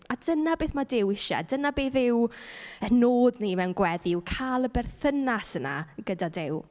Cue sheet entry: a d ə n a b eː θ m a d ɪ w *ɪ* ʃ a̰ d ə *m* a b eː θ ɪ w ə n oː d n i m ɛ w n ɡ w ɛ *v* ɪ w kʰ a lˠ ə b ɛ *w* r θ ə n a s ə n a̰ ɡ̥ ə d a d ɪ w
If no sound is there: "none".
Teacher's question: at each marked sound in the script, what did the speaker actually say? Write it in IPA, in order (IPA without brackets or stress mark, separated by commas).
ɪ, n, ð, none